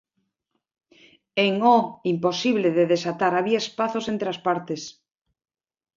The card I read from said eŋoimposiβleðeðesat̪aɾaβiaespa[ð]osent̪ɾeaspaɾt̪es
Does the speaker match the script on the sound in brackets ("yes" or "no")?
no